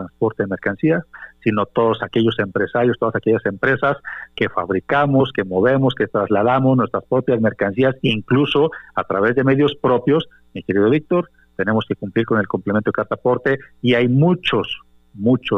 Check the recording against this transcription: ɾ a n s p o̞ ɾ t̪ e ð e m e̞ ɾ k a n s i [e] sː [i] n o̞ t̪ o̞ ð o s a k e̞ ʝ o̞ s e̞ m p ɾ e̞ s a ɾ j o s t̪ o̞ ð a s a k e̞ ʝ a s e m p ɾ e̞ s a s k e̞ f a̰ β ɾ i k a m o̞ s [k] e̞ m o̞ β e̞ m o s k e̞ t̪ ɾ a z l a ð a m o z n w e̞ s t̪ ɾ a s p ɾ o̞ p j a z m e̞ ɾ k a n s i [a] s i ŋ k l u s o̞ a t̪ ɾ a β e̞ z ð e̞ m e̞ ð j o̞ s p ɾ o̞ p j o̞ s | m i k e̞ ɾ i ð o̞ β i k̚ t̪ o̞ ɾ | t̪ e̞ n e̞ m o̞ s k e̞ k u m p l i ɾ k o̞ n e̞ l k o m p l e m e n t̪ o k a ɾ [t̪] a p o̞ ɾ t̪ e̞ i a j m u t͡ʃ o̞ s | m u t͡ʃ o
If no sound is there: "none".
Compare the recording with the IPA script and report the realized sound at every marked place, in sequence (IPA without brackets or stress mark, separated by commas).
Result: a, i, k, a, t̪